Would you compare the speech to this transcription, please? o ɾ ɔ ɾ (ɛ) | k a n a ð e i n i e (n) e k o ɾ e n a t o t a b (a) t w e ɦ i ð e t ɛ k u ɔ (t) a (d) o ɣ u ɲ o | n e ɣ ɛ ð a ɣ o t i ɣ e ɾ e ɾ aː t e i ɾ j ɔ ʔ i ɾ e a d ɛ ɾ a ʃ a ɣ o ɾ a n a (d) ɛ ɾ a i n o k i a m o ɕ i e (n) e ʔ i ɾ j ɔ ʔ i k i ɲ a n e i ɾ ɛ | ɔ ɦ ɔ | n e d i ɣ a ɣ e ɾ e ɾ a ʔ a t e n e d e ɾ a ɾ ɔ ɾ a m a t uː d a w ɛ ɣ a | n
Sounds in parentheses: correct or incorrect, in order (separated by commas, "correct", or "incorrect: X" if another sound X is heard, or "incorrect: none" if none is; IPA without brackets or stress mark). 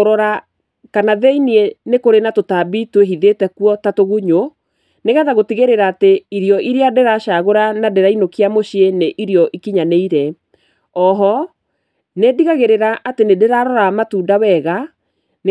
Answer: incorrect: a, correct, incorrect: i, correct, incorrect: t, correct, correct